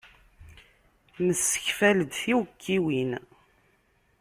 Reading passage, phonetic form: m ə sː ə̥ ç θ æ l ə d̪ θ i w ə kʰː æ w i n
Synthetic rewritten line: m ə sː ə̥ ç f æ l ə d̪ θ i w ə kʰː i w i n